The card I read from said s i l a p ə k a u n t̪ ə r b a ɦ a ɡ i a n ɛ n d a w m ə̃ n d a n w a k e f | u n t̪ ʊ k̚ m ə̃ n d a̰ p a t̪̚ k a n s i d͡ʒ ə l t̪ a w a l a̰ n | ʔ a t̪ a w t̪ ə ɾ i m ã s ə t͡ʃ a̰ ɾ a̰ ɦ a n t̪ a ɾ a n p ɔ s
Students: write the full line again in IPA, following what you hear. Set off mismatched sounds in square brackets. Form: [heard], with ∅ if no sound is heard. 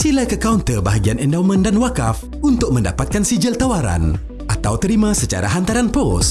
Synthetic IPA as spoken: s i l a [k] ə k a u n t̪ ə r b a ɦ a ɡ i a n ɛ n d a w m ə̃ n d a n w a k [a] f | u n t̪ ʊ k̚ m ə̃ n d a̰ p a t̪̚ k a n s i d͡ʒ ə l t̪ a w a [ɾ] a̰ n | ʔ a t̪ a w t̪ ə ɾ i m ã s ə t͡ʃ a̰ ɾ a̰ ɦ a n t̪ a ɾ a n p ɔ s